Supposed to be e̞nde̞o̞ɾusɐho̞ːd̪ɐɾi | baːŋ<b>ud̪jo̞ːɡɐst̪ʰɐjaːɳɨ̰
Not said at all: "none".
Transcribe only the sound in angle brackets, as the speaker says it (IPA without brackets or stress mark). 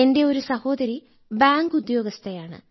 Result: ɡ